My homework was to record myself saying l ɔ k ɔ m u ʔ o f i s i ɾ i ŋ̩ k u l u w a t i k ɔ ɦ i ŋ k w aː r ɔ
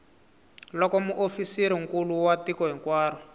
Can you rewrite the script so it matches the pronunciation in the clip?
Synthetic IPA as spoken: l ɔ k ɔ m u ʔ o f i s i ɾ i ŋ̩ k u l u w a t i k ɔ ɦ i ŋ k w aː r ɔ